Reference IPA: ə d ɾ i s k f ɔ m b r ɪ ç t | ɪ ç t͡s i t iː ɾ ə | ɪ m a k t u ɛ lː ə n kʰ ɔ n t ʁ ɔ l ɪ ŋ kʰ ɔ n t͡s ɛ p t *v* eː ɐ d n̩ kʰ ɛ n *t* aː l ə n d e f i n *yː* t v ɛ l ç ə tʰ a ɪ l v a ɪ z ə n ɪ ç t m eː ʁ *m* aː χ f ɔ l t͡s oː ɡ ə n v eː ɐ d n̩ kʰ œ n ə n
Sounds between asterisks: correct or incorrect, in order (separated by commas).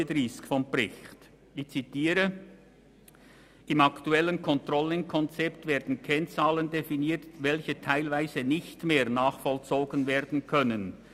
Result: correct, incorrect, incorrect, incorrect